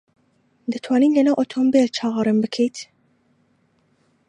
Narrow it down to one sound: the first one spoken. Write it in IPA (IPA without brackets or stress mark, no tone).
d̪